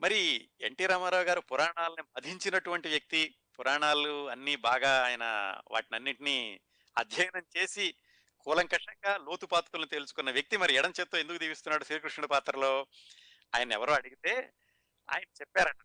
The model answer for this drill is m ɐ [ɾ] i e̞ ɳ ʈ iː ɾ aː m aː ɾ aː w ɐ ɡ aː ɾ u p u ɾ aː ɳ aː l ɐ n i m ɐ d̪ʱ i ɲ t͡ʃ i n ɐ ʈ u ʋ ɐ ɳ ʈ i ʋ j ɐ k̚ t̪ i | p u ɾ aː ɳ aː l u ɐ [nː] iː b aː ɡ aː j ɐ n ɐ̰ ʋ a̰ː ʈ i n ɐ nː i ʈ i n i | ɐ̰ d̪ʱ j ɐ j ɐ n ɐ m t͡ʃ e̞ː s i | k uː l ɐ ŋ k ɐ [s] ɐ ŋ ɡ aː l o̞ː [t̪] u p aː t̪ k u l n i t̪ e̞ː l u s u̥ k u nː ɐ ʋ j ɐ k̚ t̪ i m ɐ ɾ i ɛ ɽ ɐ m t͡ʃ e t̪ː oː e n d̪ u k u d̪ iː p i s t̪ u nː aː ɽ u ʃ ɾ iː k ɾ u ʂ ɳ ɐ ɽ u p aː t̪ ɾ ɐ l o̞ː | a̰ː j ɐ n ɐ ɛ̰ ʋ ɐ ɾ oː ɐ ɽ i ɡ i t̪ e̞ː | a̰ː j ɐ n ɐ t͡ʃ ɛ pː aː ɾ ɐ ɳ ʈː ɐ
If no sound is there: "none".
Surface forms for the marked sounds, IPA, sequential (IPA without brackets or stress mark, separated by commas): ɾ, nː, ʂ, t̪